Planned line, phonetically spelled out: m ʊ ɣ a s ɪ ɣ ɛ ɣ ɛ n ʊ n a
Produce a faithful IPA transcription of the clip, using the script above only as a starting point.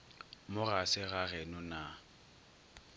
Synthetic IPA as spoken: m ʊ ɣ a s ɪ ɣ a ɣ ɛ n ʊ n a